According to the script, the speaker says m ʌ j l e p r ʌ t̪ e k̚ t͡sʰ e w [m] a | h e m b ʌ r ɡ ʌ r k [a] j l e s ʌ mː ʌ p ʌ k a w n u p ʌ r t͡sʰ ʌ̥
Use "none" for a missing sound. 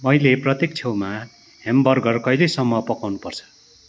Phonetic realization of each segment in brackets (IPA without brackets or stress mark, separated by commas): m, ʌ